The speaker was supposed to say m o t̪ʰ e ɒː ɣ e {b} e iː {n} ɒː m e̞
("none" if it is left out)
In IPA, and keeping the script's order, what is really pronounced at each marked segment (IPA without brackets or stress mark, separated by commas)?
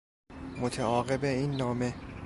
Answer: b, nː